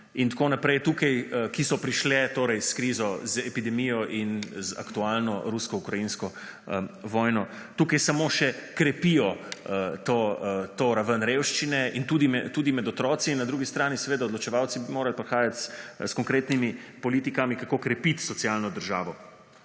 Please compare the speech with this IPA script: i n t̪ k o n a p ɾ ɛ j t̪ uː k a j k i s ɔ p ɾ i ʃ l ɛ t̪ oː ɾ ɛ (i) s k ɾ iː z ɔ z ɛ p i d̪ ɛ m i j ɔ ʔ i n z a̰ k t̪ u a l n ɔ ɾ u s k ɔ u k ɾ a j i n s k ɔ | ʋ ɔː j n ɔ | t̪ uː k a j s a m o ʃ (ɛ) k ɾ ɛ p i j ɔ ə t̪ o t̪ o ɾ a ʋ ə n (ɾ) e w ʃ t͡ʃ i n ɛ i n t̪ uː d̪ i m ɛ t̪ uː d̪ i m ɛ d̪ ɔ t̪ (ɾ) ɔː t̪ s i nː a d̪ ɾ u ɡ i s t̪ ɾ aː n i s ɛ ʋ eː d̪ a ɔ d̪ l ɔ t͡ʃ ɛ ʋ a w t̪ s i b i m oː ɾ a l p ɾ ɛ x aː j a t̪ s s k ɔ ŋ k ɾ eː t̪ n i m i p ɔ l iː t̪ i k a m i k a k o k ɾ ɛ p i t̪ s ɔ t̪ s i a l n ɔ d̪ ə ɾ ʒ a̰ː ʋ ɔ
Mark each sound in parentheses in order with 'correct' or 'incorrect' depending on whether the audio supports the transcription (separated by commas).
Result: incorrect, correct, correct, correct